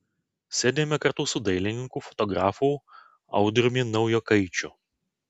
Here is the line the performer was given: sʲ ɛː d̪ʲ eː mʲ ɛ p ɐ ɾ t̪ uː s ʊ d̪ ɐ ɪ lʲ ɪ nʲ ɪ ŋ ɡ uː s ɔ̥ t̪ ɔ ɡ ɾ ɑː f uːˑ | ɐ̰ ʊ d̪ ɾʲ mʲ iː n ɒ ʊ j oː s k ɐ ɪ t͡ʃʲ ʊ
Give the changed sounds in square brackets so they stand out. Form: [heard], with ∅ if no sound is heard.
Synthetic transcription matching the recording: sʲ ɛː d̪ʲ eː mʲ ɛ [k] ɐ ɾ t̪ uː s ʊ d̪ ɐ ɪ lʲ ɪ nʲ ɪ ŋ [k] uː [f] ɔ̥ t̪ ɔ ɡ ɾ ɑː f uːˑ | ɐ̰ ʊ d̪ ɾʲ mʲ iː n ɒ ʊ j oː [∅] k ɐ ɪ t͡ʃʲ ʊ